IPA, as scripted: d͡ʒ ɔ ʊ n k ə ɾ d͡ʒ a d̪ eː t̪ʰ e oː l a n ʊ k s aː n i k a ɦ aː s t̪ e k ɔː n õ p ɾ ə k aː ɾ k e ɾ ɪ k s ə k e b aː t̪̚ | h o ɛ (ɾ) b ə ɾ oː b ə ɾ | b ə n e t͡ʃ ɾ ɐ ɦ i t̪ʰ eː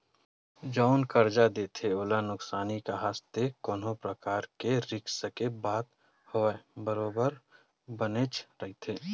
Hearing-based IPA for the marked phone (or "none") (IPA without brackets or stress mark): none